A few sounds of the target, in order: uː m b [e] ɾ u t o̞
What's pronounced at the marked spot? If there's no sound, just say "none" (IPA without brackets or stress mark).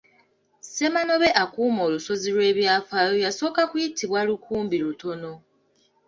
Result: i